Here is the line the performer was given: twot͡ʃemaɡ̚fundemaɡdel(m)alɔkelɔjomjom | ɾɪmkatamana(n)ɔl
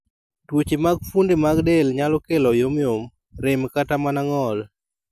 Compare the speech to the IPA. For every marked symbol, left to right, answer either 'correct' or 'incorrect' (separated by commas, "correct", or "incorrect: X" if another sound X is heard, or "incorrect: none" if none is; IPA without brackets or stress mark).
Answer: incorrect: ɲ, incorrect: ŋ